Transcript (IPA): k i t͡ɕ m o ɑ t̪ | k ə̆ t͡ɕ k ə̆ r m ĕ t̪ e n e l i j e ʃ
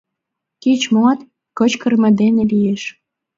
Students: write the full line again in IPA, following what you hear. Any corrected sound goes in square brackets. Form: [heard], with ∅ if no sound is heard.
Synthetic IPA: k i t͡ɕ m o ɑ t̪ | k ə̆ t͡ɕ k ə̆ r m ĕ [d̪] e n e l i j e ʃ